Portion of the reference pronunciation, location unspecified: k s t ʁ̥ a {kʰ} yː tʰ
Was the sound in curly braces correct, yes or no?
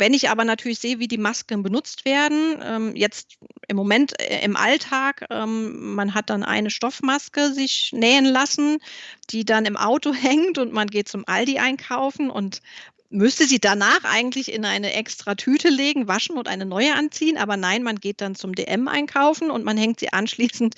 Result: no